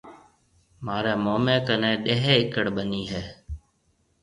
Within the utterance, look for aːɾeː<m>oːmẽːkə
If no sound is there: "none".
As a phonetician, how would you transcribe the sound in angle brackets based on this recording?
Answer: m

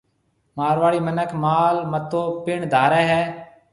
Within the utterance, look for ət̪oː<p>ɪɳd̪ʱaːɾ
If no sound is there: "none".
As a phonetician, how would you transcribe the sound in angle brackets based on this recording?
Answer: p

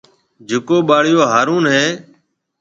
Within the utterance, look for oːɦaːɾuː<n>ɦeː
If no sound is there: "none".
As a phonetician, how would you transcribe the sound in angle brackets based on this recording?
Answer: n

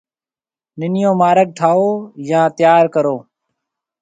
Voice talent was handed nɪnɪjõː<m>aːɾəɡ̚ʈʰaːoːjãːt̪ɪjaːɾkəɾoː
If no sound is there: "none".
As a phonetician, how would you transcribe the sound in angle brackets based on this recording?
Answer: m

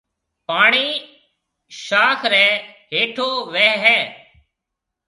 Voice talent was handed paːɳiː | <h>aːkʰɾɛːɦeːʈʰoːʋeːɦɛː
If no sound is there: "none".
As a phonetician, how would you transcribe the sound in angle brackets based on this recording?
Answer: ʃ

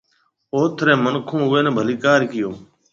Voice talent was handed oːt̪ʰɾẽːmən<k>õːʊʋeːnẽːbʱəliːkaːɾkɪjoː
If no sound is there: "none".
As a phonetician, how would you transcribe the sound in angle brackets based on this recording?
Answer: kʰ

